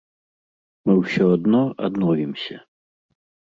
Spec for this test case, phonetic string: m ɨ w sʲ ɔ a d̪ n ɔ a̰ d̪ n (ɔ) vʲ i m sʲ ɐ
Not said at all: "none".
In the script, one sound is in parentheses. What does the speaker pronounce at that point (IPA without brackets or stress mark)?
ɔ